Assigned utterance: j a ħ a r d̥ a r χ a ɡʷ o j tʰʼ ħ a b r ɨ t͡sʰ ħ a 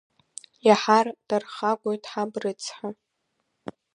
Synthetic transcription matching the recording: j a ħ a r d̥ a r χ a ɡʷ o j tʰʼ ħ a b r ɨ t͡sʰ ħ a